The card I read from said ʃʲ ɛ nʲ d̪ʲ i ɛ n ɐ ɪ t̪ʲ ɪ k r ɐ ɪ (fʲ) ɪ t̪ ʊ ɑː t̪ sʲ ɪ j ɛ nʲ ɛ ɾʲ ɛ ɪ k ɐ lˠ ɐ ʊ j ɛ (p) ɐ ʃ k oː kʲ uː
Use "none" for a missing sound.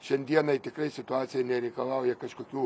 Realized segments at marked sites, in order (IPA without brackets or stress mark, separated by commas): sʲ, k